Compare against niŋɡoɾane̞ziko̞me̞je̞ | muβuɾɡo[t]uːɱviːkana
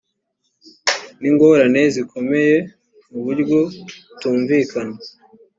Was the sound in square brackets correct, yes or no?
yes